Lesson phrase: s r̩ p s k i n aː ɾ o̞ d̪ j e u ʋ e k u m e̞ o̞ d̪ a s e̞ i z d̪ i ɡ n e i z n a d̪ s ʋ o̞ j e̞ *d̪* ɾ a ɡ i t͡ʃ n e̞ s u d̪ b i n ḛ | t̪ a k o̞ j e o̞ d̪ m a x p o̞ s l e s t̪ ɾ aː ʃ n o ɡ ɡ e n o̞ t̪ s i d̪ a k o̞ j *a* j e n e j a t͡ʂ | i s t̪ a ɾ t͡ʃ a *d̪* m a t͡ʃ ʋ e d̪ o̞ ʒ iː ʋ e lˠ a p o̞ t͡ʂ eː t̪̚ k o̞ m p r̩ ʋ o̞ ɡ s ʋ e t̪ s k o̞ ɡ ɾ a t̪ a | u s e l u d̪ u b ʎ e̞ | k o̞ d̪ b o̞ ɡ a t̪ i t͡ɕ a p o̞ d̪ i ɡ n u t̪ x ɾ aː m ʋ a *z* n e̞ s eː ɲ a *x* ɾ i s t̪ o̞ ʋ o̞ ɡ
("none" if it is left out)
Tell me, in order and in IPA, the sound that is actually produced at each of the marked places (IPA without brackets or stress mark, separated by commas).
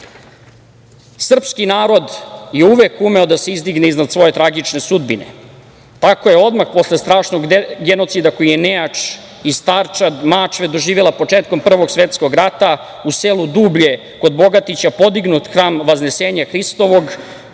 t̪, i, d̪, z, x